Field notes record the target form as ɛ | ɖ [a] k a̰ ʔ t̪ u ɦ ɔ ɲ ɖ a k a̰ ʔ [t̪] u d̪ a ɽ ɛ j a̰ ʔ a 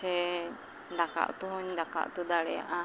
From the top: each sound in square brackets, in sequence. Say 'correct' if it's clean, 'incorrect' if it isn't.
correct, correct

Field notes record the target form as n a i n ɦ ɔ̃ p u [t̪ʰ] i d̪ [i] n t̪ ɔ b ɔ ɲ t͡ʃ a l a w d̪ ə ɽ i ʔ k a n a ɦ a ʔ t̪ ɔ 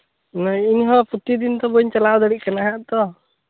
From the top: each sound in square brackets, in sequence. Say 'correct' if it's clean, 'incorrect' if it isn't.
incorrect: t̪, correct

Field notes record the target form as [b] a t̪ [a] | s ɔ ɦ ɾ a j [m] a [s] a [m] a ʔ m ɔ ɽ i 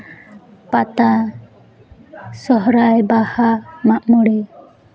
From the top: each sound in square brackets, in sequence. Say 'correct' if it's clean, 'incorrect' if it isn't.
incorrect: p, correct, incorrect: b, incorrect: h, correct

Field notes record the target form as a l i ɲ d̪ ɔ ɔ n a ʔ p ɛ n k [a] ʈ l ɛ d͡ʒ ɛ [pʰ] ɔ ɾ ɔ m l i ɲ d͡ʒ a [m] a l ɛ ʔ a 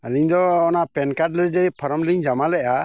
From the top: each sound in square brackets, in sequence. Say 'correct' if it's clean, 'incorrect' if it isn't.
correct, correct, correct

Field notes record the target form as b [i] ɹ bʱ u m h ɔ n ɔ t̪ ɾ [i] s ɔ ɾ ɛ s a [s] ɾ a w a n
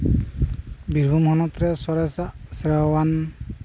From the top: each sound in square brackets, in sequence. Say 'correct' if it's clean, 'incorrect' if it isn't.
correct, incorrect: ɛ, correct

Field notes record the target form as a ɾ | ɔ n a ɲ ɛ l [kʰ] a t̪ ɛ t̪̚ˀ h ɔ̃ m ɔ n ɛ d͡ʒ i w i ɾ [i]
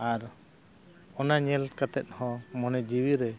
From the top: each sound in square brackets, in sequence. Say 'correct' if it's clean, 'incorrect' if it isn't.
incorrect: k, incorrect: ɛ

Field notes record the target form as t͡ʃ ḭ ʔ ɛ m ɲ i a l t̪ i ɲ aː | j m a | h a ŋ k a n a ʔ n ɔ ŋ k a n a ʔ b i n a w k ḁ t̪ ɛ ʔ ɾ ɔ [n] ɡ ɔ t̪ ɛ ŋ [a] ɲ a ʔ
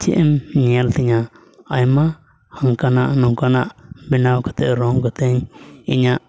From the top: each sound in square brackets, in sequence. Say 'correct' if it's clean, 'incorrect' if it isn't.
incorrect: ŋ, incorrect: i

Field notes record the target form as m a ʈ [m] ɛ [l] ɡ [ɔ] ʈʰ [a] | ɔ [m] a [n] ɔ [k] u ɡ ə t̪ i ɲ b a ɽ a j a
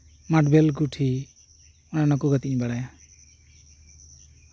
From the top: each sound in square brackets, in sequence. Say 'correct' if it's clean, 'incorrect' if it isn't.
incorrect: b, correct, incorrect: u, incorrect: i, incorrect: n, correct, correct

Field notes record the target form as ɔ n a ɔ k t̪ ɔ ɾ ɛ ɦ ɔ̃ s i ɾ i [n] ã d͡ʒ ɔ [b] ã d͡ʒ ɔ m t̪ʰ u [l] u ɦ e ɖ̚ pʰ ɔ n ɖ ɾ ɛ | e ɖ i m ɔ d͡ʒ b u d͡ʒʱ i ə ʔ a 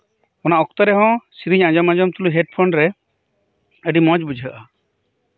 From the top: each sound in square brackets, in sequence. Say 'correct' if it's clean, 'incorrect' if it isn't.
incorrect: ɲ, incorrect: m, correct

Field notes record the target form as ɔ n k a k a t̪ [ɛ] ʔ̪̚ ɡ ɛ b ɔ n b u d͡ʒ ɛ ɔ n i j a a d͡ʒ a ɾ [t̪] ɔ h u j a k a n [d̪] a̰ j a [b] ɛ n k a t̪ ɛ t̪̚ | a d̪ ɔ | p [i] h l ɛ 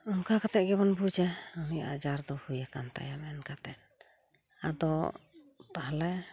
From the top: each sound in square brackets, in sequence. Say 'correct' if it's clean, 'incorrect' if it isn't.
correct, incorrect: d̪, incorrect: t̪, incorrect: m, incorrect: a

